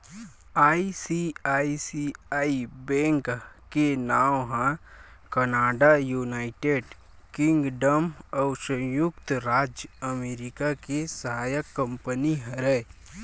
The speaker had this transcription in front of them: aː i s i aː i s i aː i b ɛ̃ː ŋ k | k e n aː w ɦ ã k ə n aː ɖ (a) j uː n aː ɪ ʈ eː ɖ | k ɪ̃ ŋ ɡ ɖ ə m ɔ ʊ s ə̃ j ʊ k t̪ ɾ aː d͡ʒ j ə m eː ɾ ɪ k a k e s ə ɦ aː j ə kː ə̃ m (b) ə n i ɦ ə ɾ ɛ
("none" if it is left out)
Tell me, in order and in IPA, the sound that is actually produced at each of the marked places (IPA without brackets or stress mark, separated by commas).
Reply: a, p